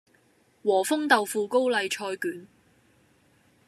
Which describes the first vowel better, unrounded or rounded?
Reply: rounded